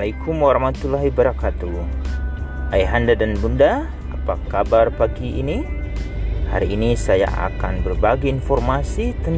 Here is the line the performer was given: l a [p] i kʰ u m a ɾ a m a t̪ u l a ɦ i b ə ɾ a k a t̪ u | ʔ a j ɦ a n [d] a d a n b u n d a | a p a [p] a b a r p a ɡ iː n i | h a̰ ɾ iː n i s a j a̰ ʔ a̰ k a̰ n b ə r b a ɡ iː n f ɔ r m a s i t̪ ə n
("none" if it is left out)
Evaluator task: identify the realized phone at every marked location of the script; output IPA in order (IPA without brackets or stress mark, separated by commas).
none, d, k